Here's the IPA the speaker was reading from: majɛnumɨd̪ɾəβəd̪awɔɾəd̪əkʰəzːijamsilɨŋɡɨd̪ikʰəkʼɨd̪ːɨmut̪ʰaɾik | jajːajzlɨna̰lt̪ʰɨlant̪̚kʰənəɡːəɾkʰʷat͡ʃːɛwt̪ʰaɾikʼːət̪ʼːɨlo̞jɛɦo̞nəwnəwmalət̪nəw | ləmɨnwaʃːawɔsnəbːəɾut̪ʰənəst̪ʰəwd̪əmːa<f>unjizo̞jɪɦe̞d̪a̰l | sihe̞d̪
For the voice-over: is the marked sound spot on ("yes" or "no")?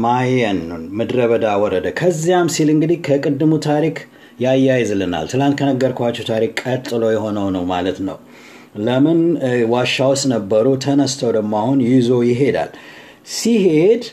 no